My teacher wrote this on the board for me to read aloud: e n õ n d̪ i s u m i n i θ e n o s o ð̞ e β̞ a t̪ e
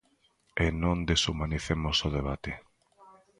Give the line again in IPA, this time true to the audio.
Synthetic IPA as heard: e n õ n d̪ e s u m a n i θ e m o s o ð̞ e β̞ a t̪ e